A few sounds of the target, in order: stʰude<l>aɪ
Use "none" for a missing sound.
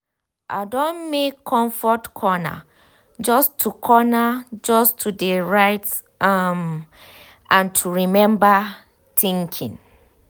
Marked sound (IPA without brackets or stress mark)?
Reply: ɹ